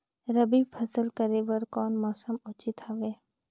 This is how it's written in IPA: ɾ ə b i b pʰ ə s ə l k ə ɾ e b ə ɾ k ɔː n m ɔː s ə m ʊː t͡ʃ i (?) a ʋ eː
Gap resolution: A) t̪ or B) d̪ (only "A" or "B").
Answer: A